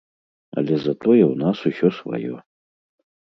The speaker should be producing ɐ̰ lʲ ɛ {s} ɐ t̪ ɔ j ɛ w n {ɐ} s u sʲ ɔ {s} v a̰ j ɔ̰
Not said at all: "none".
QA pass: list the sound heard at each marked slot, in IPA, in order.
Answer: z, a, s

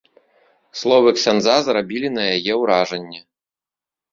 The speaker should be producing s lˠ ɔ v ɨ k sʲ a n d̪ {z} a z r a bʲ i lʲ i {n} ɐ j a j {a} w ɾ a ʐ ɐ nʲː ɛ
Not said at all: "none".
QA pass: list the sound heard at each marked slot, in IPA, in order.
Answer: z, n, ɛ

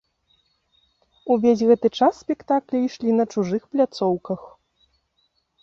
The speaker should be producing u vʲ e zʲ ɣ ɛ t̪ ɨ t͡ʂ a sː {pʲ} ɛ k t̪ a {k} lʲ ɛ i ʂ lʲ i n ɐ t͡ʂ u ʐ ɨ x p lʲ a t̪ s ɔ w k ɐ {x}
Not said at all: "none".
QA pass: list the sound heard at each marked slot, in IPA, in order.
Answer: pʲ, k, x

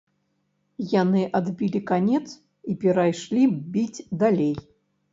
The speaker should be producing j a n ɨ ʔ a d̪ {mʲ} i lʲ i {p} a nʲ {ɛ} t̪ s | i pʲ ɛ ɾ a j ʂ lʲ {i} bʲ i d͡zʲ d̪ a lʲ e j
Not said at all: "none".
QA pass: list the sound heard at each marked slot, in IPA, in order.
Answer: bʲ, k, ɛ, i

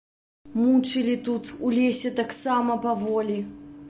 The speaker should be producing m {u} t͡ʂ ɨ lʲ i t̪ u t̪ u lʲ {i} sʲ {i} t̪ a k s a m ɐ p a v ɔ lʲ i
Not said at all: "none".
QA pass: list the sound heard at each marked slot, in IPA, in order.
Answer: u, e, ɛ

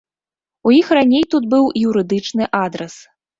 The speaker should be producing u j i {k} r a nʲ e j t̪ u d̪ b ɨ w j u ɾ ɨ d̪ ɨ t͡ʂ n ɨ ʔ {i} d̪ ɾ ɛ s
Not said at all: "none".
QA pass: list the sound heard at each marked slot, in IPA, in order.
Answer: x, a

